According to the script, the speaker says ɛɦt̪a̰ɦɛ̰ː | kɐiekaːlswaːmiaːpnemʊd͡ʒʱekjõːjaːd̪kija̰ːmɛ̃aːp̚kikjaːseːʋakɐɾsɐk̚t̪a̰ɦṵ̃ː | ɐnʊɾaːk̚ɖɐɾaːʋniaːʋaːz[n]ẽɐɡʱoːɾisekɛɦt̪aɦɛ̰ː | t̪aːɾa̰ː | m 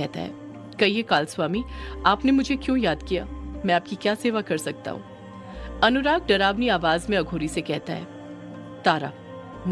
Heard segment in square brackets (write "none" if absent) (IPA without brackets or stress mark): m